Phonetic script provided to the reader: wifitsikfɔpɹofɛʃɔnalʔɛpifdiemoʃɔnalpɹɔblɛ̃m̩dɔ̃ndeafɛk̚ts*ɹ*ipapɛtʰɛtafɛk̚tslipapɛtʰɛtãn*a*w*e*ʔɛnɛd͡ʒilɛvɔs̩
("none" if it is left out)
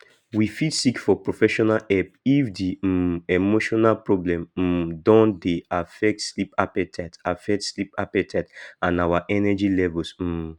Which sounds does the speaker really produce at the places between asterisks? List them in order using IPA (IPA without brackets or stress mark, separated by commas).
l, a, a